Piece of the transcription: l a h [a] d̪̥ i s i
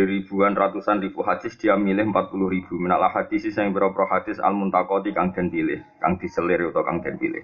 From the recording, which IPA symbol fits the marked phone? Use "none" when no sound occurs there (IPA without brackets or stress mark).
a